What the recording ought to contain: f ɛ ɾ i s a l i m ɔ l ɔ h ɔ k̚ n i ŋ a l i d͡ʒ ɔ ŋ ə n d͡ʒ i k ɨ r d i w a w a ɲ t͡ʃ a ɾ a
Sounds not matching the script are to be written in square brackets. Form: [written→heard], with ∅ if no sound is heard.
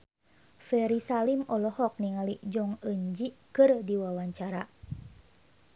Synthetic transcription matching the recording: f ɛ ɾ i s a l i m ɔ l ɔ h ɔ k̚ n i ŋ a l i d͡ʒ ɔ ŋ ə [n→ɲ] d͡ʒ i k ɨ r d i w a w a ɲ t͡ʃ a ɾ a

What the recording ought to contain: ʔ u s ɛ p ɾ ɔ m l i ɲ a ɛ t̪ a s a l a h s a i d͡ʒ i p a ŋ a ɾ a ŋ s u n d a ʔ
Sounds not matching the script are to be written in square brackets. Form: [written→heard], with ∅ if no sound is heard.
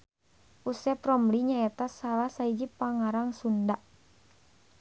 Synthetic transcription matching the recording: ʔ u s ɛ p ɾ ɔ m l i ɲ a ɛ t̪ a s a l a h s a i d͡ʒ i p a ŋ a ɾ a ŋ s u n d a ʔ

